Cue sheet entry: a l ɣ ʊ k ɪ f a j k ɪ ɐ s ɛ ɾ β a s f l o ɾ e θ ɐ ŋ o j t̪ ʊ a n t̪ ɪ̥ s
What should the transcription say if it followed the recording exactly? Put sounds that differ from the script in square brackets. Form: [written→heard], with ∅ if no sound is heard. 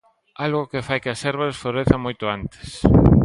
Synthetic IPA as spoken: a l ɣ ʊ k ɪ f a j k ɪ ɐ s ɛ ɾ β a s f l o ɾ e θ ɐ [ŋ→m] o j t̪ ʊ a n t̪ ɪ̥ s